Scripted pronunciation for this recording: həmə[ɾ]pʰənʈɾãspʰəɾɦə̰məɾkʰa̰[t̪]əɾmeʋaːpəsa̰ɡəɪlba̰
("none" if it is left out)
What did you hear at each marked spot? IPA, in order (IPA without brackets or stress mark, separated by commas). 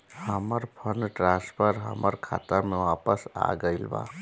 ɾ, t̪